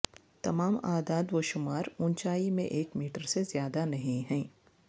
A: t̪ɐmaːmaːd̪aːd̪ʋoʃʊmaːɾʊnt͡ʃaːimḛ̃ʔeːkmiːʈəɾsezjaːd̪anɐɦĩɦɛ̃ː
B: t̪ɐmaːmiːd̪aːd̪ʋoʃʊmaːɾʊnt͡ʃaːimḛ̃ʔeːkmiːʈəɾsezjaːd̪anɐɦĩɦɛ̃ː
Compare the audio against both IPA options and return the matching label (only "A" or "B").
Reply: A